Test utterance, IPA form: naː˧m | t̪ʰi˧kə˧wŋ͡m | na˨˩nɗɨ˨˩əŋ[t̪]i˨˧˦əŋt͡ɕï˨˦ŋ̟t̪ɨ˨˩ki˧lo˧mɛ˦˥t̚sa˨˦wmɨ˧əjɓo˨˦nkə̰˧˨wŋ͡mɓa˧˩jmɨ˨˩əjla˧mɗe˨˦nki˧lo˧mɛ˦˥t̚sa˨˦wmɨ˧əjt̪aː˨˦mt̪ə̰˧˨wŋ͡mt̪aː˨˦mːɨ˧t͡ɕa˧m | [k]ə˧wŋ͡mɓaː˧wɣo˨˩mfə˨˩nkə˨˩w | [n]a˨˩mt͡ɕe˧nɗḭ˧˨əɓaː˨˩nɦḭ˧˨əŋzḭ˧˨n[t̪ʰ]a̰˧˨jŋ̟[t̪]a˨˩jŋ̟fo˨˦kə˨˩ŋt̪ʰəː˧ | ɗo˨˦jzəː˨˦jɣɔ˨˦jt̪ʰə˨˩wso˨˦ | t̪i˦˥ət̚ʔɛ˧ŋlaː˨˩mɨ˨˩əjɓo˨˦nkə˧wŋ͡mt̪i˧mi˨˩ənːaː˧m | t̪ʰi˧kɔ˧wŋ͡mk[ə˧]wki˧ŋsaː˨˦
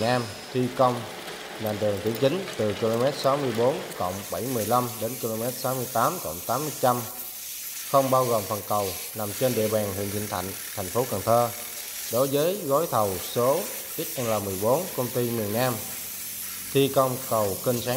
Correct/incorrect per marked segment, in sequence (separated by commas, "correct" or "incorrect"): correct, incorrect, correct, correct, incorrect, incorrect